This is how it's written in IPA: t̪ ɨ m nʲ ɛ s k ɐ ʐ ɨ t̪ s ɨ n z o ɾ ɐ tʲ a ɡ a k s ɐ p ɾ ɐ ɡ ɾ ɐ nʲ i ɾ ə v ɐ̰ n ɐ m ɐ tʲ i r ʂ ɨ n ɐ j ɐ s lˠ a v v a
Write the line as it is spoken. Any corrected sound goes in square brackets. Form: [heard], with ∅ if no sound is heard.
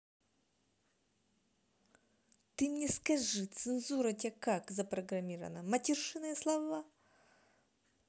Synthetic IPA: t̪ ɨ m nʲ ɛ s k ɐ ʐ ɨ t̪ s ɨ n z [u] ɾ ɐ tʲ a [k] a k [z] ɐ p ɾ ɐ ɡ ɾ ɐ [mʲ] i ɾ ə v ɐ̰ n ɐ m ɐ tʲ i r ʂ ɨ n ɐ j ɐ s lˠ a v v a